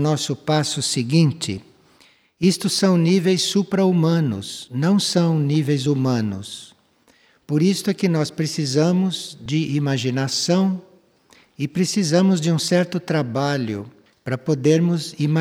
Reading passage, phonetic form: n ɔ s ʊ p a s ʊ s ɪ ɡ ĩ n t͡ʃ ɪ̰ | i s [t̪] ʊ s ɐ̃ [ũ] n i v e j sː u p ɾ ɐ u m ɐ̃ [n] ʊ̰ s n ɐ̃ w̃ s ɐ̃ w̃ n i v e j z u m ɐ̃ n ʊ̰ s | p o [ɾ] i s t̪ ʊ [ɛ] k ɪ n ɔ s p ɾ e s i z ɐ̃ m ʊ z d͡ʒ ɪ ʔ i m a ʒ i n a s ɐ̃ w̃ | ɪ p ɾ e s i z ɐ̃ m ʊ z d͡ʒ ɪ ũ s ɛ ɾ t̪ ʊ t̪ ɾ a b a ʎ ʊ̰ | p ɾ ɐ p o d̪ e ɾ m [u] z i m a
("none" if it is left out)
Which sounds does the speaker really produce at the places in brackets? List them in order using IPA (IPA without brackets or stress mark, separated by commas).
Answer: t̪, w̃, n, ɾ, ɛ, ʊ